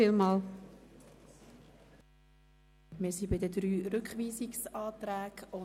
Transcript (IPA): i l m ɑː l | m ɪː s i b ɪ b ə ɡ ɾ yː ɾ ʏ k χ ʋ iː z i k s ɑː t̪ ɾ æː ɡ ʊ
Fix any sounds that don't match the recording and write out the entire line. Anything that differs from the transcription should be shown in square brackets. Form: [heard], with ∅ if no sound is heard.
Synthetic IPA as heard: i l m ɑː l | m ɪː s i b ɪ [d] ə [d] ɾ yː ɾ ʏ k χ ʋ iː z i k s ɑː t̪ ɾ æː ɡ ʊ